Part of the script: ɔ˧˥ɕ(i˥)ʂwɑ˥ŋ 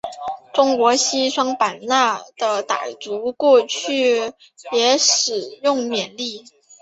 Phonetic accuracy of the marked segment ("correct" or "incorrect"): correct